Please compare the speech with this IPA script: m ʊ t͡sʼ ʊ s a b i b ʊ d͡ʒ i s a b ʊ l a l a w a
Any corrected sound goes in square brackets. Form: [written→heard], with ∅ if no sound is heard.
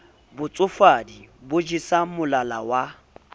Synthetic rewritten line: [m→b] ʊ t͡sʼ ʊ [s→f] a [b→d] i b ʊ d͡ʒ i s a [b→m] ʊ l a l a w a